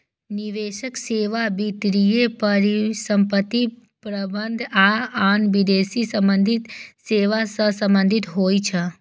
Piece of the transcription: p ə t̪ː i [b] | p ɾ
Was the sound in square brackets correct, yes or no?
no